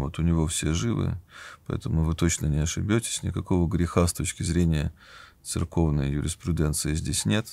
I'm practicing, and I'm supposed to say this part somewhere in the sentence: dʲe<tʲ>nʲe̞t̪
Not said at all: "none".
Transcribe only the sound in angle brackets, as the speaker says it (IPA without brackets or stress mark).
sʲ